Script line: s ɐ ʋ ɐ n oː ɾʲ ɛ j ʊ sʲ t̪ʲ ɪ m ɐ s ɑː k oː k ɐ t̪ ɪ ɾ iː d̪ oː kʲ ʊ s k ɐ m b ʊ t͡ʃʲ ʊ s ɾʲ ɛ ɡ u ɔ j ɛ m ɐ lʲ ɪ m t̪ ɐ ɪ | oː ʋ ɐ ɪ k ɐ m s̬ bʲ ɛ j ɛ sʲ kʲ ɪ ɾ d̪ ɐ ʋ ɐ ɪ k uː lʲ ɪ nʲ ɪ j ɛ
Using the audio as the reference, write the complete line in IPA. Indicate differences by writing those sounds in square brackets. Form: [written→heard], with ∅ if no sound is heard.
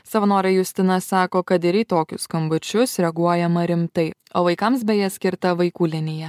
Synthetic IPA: s ɐ ʋ ɐ n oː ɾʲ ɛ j ʊ sʲ t̪ʲ ɪ [m→n] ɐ s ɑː k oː k ɐ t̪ ɪ ɾ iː [d̪→t̪] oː kʲ ʊ s k ɐ m b ʊ t͡ʃʲ ʊ s ɾʲ ɛ ɡ u ɔ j ɛ m ɐ [lʲ→ɾʲ] ɪ m t̪ ɐ ɪ | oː ʋ ɐ ɪ k ɐ m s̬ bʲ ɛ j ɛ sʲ kʲ ɪ ɾ [d̪→t̪] ɐ ʋ ɐ ɪ k uː lʲ ɪ nʲ ɪ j ɛ